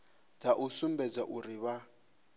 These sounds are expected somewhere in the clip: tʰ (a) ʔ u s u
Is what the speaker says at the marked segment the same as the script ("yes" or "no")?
yes